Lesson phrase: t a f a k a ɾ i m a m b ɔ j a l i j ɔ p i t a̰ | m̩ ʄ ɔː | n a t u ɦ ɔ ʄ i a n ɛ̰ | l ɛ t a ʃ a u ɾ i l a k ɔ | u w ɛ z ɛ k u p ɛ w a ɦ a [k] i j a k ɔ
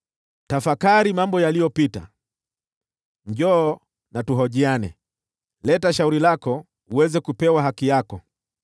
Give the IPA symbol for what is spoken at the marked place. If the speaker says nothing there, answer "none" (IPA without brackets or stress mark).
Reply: k